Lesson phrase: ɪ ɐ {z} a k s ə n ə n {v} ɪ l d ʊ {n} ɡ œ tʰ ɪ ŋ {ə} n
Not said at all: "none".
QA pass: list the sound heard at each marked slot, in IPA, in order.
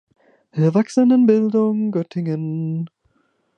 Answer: v, b, ŋ, ə

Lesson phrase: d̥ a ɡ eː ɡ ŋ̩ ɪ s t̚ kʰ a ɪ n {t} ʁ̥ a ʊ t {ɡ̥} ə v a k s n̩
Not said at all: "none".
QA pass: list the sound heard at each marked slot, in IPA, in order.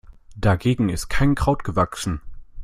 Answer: k, ɡ̥

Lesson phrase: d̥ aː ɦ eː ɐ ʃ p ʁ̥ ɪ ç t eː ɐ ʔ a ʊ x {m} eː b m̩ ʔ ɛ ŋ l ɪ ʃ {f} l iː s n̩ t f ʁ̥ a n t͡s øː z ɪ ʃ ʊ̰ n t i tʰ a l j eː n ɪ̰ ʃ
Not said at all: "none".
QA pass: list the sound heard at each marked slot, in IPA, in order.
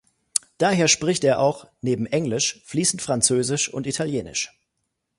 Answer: n, f

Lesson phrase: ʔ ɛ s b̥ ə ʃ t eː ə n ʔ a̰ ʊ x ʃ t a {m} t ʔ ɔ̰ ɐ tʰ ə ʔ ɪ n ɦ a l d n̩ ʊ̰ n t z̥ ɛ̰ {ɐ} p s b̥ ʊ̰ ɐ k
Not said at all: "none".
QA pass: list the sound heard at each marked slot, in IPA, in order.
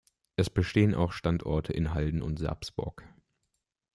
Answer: n, ɐ

